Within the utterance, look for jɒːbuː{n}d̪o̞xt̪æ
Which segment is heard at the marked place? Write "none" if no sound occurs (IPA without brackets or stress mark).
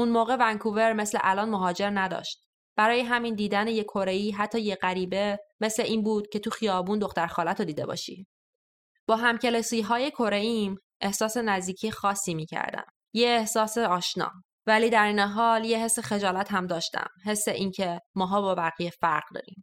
n